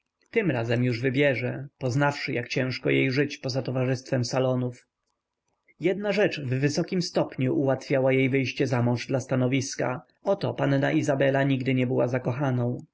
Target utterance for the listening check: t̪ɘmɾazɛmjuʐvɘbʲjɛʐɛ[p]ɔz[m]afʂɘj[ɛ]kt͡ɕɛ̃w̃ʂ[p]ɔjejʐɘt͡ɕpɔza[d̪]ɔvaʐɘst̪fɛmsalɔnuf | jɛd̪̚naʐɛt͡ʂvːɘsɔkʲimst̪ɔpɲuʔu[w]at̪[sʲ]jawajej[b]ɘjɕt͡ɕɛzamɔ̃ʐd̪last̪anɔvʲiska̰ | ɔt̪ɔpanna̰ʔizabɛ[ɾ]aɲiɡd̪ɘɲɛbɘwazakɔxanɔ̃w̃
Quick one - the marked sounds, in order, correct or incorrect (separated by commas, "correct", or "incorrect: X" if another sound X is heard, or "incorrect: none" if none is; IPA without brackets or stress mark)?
correct, incorrect: n, incorrect: a, incorrect: k, incorrect: t̪, correct, incorrect: fʲ, incorrect: v, incorrect: l